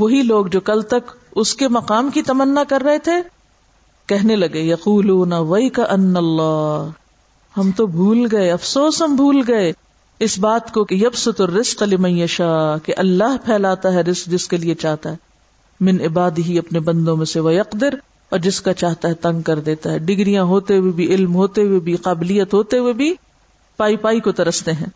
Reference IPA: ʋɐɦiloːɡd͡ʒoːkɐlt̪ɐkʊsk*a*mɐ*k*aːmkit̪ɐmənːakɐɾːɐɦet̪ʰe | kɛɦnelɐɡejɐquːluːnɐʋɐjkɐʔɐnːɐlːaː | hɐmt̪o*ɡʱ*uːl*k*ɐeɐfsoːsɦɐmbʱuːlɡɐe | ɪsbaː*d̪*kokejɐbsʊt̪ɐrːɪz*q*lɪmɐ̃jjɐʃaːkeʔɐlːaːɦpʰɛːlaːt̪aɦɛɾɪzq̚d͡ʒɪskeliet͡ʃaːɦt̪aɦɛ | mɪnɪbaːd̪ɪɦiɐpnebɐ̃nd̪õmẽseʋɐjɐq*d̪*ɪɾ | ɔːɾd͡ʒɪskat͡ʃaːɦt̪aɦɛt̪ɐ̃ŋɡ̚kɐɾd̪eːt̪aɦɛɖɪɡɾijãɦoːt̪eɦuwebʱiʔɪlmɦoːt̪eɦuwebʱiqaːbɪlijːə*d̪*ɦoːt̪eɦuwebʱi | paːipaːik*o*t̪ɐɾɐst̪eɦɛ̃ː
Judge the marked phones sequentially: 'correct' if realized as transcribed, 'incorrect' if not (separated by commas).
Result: incorrect, incorrect, incorrect, incorrect, incorrect, correct, correct, incorrect, correct